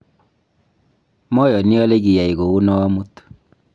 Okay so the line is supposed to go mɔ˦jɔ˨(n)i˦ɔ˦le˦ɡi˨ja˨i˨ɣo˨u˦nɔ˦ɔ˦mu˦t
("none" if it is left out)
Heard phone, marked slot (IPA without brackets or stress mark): n